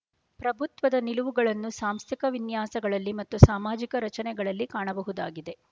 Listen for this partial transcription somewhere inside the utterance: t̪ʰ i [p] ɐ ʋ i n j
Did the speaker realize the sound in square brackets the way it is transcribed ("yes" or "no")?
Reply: no